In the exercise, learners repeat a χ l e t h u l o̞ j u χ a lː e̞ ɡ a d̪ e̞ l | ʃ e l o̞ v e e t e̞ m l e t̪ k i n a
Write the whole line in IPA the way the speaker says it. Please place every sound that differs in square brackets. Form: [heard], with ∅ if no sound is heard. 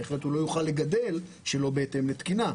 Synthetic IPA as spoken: [e] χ l e t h u l o̞ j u χ a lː e̞ ɡ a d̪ e̞ l | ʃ e l o̞ [b] e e t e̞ m l e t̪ k i n a